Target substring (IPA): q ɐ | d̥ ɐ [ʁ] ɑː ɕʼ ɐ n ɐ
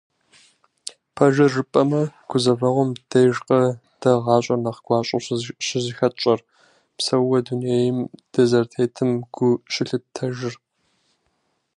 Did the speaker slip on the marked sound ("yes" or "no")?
no